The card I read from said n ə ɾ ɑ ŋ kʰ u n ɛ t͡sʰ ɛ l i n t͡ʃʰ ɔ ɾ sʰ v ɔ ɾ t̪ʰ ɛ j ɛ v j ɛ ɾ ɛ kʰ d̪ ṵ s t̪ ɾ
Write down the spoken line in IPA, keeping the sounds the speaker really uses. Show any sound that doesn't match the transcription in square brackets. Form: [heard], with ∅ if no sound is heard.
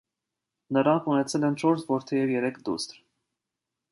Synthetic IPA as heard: n ə ɾ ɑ ŋ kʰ u n ɛ t͡sʰ ɛ l [ɛ] n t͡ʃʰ ɔ ɾ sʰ v ɔ ɾ t̪ʰ ɛ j ɛ v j ɛ ɾ ɛ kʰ d̪ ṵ s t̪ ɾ